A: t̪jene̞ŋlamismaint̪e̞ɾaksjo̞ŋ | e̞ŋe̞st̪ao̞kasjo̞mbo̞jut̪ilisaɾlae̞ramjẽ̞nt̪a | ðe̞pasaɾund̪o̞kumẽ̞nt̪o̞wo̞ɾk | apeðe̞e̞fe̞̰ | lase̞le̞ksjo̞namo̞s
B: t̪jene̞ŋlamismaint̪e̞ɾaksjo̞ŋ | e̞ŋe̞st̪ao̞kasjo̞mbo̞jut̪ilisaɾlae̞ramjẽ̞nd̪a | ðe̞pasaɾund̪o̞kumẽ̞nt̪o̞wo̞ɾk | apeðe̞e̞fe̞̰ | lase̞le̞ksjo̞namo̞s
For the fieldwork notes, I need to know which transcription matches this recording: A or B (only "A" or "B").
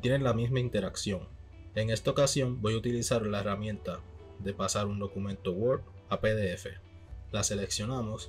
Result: A